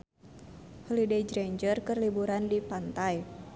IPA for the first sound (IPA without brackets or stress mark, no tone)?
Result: h